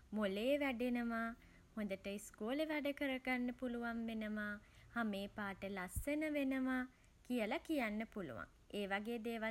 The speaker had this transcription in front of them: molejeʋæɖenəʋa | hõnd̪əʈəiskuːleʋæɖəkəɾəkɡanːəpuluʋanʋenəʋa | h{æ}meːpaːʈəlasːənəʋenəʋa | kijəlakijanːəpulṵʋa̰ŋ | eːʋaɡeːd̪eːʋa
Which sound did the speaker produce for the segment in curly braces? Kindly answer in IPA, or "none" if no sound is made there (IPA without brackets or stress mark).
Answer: a